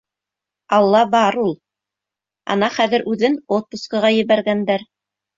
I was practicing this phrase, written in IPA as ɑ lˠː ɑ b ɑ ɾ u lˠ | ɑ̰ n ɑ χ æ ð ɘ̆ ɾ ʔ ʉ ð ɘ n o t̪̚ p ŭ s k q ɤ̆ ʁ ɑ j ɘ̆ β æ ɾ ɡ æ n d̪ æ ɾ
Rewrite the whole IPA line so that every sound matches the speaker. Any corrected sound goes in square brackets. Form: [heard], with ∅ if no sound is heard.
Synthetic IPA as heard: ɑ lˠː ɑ b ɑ ɾ u lˠ | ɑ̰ n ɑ χ æ ð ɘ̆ ɾ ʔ ʉ ð ɘ n o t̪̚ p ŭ s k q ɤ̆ ʁ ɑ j ɘ̆ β æ ɾ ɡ æ n d̪ æ ɾ